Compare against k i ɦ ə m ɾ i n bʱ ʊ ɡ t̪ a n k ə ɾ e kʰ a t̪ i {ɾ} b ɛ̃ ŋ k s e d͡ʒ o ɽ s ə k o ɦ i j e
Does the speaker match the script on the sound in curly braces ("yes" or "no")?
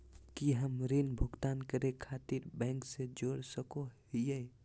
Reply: yes